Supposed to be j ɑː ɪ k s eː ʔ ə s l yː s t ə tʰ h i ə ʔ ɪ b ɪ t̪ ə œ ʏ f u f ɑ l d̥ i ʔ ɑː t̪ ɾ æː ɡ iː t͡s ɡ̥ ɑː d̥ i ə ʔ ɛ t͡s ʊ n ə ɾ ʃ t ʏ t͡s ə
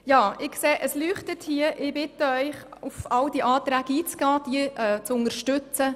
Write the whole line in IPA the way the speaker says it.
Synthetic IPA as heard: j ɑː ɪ k s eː ʔ ə s l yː χ t ə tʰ h i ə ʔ ɪ b ɪ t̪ ə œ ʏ χ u f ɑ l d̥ i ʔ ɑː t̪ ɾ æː ɡ iː t͡s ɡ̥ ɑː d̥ i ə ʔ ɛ t͡s ʊ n ə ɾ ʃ t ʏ t͡s ə